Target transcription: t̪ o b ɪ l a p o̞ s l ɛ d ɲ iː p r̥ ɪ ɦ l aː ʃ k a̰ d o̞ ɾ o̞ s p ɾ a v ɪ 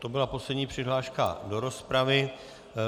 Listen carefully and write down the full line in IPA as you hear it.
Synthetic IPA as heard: t̪ o b ɪ l a p o̞ s l ɛ d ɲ iː p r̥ ɪ ɦ l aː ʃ k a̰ d o̞ ɾ o̞ s p ɾ a v ɪ

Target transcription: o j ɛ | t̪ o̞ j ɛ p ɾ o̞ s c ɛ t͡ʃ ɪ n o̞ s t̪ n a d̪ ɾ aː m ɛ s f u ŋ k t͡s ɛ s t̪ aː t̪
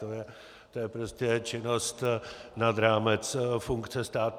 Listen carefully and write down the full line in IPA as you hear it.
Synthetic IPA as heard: o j ɛ | t̪ o̞ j ɛ p ɾ o̞ s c ɛ t͡ʃ ɪ n o̞ s t̪ n a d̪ ɾ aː m ɛ t͡s f u ŋ k t͡s ɛ s t̪ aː t̪

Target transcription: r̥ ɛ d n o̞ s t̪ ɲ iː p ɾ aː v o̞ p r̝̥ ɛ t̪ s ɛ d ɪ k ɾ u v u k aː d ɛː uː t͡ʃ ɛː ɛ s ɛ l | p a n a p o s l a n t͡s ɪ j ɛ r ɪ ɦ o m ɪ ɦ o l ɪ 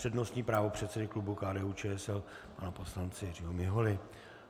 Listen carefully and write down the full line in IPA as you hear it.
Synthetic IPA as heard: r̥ ɛ d n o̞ s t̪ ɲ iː p ɾ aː v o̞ p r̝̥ ɛ t̪ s ɛ d ɪ k l u b u k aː d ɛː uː t͡ʃ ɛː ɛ s ɛ l | p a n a p o s l a n t͡s ɪ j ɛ r ɪ ɦ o m ɪ ɦ o l ɪ

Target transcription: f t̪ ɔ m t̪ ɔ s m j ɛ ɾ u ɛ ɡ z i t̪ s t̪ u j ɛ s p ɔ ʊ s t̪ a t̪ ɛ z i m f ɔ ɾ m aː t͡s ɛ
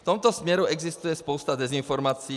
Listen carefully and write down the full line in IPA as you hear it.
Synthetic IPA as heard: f t̪ ɔ m t̪ ɔ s m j ɛ ɾ u ɛ ɡ z i s t̪ u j ɛ s p ɔ ʊ s t̪ a d̪ ɛ z i n f ɔ ɾ m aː t͡s i

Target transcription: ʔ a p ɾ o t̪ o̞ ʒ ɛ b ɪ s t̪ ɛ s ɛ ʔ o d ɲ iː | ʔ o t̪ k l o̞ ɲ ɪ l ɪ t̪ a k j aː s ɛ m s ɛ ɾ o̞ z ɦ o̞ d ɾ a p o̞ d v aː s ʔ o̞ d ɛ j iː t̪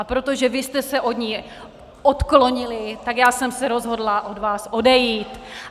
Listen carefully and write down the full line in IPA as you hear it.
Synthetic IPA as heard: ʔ a p ɾ o t̪ o̞ ʒ ɛ v ɪ s t̪ ɛ s ɛ ʔ o d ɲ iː | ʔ o t̪ k l o̞ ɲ ɪ l ɪ t̪ a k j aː s ɛ m s ɛ ɾ o̞ z ɦ o̞ d l a ʔ o̞ d v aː s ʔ o̞ d ɛ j iː t̪

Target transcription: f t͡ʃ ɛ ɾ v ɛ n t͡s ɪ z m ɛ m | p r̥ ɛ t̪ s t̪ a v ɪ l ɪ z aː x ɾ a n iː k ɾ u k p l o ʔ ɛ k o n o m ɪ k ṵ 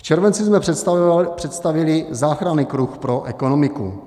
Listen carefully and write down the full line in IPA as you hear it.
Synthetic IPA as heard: f t͡ʃ ɛ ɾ v ɛ n t͡s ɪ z m ɛ | p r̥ ɛ t̪ s t̪ a v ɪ l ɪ z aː x ɾ a n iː k ɾ u x p ɾ o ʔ ɛ k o n o m ɪ k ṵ

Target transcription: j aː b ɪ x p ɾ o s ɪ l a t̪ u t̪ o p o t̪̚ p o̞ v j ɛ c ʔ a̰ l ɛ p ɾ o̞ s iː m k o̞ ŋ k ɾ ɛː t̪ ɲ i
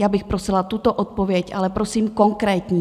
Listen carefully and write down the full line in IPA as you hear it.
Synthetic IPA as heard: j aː b ɪ x p ɾ o s ɪ l a t̪ u t̪ o ʔ o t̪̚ p o̞ v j ɛ c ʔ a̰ l ɛ p ɾ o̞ s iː m k o̞ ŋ k ɾ ɛː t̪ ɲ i

